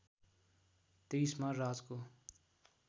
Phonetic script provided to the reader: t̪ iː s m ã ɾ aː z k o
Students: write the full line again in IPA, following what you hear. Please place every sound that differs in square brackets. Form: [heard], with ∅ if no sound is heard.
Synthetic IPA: t̪ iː s m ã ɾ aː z k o